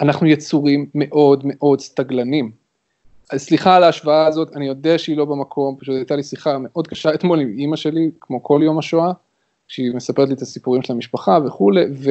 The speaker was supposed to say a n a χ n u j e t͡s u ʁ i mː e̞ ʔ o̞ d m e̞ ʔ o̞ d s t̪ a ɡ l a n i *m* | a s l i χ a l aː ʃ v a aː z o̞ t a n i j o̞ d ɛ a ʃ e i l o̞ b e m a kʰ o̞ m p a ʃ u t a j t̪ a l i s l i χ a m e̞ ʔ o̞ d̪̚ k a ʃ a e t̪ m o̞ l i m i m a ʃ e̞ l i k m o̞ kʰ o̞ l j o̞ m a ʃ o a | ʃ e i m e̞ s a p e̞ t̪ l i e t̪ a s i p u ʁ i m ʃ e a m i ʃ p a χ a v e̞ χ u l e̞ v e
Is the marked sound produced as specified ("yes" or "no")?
yes